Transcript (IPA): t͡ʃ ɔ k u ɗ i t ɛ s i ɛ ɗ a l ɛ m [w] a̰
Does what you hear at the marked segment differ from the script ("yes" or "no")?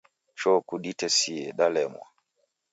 no